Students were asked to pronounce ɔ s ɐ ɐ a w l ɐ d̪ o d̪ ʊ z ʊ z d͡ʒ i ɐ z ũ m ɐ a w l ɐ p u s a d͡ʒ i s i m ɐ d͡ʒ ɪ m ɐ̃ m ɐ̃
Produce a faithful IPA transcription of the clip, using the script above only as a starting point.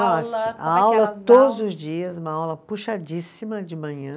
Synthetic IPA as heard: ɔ s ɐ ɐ a w l ɐ t̪ o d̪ ʊ z ʊ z d͡ʒ i ɐ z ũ m ɐ a w l ɐ p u ʃ a d͡ʒ i s i m ɐ d͡ʒ ɪ m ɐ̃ ɲ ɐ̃